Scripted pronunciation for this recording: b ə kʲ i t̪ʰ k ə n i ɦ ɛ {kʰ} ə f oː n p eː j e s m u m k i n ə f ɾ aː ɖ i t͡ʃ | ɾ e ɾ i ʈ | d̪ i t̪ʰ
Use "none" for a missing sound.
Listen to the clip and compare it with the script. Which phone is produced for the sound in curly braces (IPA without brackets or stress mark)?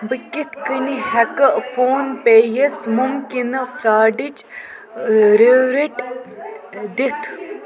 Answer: k